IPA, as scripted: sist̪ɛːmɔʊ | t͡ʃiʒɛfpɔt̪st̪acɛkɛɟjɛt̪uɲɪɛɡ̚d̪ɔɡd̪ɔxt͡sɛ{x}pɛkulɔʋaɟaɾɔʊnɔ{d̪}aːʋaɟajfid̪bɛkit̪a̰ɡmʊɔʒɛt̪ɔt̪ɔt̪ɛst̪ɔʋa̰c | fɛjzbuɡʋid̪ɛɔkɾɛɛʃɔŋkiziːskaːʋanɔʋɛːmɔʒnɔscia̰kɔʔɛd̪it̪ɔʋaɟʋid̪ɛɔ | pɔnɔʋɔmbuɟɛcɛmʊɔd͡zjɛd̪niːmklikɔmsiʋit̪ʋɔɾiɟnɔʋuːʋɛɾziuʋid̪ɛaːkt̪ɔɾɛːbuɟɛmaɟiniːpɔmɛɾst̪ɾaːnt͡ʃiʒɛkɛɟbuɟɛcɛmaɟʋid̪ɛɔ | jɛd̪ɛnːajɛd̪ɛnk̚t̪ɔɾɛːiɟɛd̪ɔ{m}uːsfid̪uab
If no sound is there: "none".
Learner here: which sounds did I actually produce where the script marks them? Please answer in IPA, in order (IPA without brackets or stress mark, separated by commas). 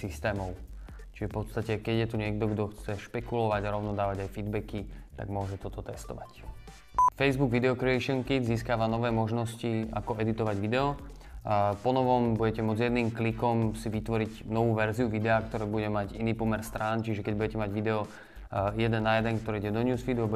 ʃ, d̪, ɲ